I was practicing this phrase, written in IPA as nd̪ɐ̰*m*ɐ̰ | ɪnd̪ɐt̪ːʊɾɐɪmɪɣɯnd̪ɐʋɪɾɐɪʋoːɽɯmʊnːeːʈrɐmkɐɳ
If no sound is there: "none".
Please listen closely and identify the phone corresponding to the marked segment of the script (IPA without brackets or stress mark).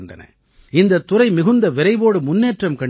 n